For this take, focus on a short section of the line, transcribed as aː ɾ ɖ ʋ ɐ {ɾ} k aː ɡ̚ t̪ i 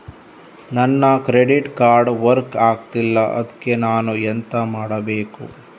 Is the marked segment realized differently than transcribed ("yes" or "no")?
no